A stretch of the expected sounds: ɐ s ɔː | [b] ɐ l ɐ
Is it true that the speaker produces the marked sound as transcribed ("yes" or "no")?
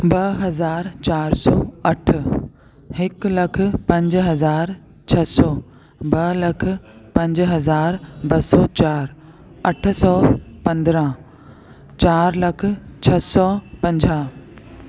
yes